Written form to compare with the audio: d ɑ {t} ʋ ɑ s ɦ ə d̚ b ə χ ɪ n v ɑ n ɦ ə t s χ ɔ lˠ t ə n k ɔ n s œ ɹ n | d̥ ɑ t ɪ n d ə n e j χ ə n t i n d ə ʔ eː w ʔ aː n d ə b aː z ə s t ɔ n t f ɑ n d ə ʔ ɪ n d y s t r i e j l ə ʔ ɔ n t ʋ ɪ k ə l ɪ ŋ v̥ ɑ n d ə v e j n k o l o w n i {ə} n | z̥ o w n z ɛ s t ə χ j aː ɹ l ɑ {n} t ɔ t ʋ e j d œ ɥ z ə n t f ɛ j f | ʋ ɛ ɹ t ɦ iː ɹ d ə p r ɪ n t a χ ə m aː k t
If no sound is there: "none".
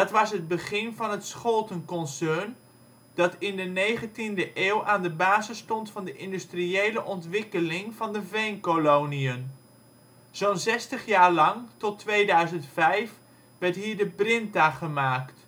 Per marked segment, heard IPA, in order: t, ə, ŋ

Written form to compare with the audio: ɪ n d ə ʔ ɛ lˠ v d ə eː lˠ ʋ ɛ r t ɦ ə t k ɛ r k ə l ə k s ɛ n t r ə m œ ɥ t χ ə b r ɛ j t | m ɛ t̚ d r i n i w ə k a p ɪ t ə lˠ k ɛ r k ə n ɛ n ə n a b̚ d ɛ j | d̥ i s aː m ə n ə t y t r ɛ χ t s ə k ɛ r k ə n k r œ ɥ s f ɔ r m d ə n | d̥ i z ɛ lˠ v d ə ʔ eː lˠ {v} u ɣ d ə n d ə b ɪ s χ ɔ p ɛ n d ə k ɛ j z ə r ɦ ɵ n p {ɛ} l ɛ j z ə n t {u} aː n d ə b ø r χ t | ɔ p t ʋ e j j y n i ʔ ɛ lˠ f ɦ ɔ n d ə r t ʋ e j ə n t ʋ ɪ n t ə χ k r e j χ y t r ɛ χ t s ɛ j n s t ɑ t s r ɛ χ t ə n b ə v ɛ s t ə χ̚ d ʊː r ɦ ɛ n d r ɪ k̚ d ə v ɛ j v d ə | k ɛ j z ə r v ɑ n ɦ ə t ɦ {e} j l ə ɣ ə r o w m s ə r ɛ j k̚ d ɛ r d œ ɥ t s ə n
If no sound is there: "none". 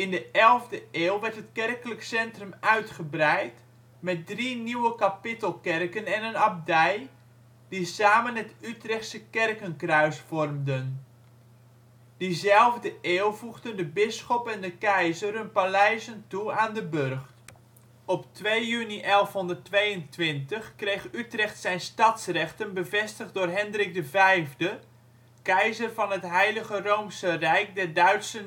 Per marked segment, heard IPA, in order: v, a, u, ɛ

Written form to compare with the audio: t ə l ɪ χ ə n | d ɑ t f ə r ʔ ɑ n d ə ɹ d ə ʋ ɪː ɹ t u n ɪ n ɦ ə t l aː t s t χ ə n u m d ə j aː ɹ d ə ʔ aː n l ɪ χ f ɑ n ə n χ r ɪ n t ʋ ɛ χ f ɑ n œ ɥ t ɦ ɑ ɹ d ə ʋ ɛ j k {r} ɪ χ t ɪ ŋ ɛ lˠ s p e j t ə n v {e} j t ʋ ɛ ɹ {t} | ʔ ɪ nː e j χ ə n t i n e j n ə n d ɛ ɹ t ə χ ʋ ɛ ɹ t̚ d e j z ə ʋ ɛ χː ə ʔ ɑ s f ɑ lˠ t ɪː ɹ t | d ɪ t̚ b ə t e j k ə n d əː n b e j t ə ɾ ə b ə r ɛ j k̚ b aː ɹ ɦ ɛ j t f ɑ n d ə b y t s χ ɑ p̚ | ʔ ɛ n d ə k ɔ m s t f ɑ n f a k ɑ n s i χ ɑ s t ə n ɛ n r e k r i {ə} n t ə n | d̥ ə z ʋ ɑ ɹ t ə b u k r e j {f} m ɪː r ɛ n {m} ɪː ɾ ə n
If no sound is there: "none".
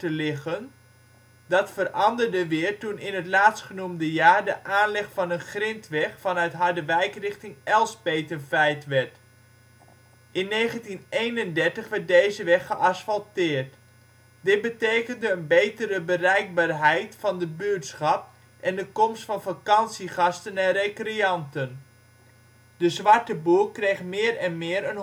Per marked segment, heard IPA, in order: r, ɛ, t, ɑ, χ, m

